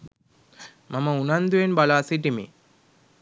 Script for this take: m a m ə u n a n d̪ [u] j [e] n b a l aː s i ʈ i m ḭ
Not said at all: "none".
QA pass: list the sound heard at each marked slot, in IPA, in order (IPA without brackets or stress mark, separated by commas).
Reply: u, e